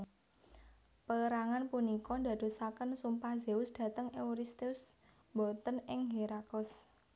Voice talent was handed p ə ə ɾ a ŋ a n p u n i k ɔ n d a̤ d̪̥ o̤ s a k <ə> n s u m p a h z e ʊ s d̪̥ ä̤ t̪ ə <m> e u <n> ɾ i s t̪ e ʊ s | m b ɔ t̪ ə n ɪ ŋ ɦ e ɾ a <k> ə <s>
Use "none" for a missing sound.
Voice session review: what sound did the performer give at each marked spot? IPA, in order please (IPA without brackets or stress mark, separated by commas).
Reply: ə, ŋ, none, k, s